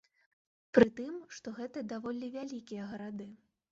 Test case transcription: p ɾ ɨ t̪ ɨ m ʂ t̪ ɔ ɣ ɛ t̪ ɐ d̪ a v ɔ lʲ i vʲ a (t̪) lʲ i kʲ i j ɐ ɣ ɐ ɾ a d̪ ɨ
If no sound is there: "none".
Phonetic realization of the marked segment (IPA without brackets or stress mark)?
none